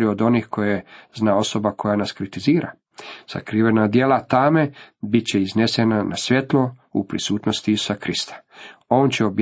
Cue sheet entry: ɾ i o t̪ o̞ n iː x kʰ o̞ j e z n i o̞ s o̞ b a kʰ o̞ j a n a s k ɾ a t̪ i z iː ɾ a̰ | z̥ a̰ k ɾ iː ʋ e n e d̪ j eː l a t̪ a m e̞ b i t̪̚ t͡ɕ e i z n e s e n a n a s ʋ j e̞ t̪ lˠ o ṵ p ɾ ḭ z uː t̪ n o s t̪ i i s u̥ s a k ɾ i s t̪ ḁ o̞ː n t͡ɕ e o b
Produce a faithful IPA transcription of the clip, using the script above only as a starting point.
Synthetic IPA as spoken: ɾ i o d̪ o̞ n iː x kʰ o̞ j e z n a o̞ s o̞ b a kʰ o̞ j a n a s k ɾ i t̪ i z iː ɾ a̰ | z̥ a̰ k ɾ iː ʋ e n a d̪ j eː l a t̪ a m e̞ b i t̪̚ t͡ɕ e i z n e s e n a n a s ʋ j e̞ t̪ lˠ o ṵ p ɾ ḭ s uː t̪ n o s t̪ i i s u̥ s a k ɾ i s t̪ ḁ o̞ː n t͡ɕ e o b